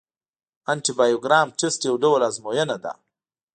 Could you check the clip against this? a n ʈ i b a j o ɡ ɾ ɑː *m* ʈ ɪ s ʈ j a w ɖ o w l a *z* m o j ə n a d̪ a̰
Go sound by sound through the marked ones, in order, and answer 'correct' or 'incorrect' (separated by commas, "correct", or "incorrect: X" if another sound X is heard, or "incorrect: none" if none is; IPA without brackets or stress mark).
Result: correct, correct